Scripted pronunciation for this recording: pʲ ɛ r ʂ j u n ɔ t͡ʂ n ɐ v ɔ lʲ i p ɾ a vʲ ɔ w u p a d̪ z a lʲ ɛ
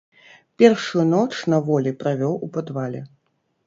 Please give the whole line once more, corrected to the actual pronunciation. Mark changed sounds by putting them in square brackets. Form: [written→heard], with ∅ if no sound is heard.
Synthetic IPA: pʲ ɛ r ʂ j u n ɔ t͡ʂ n ɐ v ɔ lʲ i p ɾ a vʲ ɔ w u p a d̪ [z→v] a lʲ ɛ